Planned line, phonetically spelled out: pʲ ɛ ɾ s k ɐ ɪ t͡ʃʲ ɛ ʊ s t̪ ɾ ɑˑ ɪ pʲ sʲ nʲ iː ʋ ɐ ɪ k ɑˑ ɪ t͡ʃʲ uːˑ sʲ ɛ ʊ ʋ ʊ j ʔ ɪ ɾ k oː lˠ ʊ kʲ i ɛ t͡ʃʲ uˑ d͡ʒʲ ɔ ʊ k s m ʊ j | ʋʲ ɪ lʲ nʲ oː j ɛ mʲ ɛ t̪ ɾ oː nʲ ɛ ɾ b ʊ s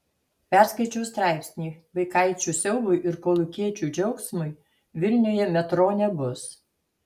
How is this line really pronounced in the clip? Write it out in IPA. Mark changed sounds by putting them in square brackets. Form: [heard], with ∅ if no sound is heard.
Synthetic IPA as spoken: pʲ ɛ ɾ s k ɐ ɪ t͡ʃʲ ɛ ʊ s t̪ ɾ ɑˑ ɪ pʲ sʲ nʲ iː ʋ ɐ ɪ k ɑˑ ɪ t͡ʃʲ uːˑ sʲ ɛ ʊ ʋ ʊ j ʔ ɪ ɾ k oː lˠ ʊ kʲ i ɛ t͡ʃʲ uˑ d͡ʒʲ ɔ ʊ k s m ʊ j | ʋʲ ɪ lʲ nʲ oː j ɛ mʲ ɛ t̪ ɾ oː nʲ ɛ [∅] b ʊ s